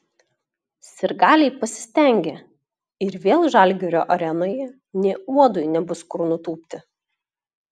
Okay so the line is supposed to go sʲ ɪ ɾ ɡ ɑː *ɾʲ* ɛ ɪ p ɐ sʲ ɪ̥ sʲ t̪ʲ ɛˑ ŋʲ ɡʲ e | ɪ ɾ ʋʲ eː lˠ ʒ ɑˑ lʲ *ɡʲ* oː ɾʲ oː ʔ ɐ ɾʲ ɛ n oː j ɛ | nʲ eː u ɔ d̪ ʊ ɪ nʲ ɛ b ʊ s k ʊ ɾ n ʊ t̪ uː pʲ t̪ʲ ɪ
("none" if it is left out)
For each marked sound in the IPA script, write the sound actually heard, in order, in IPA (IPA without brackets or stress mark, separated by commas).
lʲ, ɡʲ